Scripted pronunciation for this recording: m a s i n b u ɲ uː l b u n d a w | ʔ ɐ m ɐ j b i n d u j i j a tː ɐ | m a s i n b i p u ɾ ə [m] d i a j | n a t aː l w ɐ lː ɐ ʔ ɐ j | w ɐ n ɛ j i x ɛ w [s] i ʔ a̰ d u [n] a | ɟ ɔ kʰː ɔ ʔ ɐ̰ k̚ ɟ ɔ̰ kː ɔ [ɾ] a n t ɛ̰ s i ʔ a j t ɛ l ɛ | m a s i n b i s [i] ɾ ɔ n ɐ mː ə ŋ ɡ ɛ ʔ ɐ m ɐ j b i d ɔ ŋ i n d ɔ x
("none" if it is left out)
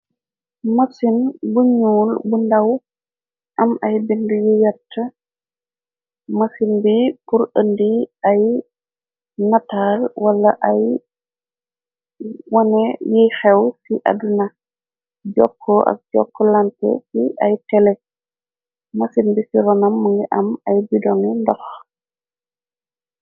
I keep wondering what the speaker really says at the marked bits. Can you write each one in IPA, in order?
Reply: n, s, n, l, i

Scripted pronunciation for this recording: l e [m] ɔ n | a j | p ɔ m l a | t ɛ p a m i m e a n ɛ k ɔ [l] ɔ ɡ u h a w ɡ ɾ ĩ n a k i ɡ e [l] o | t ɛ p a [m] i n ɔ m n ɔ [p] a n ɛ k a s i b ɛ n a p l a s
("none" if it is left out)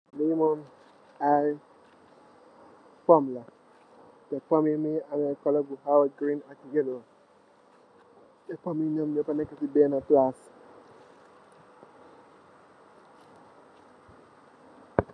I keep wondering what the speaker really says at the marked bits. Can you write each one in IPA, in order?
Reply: m, l, l, m, p

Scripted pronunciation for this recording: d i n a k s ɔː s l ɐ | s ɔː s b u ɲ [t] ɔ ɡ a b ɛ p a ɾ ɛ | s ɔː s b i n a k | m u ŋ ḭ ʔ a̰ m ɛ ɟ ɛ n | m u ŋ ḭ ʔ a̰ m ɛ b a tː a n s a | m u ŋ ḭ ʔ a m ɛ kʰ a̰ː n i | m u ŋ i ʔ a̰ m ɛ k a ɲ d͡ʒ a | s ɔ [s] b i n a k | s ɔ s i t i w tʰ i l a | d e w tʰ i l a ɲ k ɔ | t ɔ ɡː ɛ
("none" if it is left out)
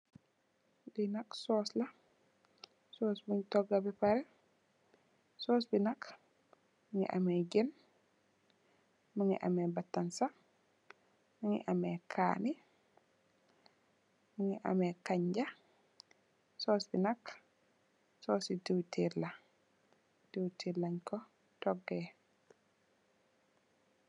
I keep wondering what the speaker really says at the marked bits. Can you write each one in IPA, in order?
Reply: t, s

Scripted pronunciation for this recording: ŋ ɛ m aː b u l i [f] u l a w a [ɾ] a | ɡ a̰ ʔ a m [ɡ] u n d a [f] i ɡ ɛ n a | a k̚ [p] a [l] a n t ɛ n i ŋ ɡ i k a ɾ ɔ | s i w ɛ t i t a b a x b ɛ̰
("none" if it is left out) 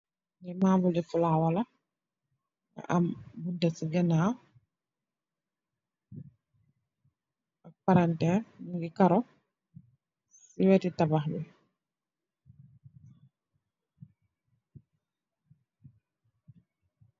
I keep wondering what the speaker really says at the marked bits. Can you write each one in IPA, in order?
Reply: f, l, b, s, p, ɾ

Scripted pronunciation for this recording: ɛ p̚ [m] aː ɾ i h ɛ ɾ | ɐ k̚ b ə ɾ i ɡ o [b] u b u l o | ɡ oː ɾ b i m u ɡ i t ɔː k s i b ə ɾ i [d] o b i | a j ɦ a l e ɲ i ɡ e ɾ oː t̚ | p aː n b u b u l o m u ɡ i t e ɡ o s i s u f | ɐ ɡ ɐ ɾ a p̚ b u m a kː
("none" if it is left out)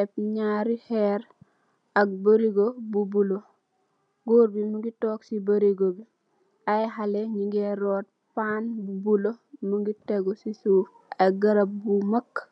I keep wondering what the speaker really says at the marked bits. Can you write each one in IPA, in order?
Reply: ɲ, b, ɡ

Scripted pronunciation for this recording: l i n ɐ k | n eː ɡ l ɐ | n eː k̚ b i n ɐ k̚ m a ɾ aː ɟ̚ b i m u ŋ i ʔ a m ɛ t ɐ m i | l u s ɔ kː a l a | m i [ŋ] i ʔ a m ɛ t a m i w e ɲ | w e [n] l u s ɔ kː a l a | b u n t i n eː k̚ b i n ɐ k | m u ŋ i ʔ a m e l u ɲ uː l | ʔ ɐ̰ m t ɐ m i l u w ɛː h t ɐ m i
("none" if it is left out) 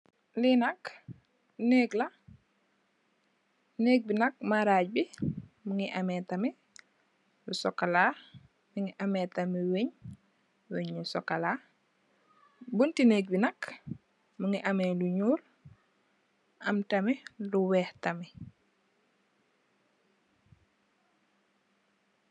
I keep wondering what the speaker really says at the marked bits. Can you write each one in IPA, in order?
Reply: ŋ, ɲ

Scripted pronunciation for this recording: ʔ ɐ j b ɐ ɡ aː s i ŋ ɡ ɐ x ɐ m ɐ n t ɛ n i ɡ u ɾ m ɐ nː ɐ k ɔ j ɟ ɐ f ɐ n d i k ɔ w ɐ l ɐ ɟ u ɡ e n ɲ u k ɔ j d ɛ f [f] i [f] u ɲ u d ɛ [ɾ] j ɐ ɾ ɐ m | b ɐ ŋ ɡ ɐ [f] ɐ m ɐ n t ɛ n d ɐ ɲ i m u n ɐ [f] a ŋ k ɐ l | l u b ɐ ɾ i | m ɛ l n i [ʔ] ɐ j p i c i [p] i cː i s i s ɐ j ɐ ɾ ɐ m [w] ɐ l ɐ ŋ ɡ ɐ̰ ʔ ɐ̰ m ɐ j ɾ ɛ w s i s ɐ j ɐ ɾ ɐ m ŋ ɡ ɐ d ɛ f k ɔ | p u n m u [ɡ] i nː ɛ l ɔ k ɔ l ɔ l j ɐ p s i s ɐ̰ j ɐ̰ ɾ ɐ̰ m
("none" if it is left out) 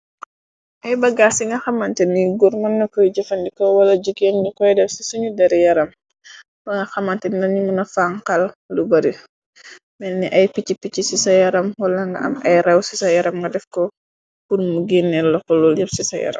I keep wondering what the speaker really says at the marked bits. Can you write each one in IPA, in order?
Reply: s, s, ɾ, x, f, ʔ, p, w, ɡ

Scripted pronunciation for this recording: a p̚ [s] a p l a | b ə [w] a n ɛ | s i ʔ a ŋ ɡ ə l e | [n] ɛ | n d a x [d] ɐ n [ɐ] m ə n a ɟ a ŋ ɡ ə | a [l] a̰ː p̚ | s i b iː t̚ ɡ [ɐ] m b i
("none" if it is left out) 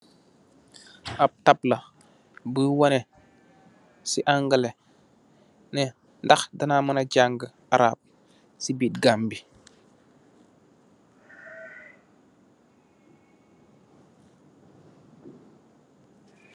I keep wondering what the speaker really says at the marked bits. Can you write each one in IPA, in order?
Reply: t, w, n, d, a, ɾ, a

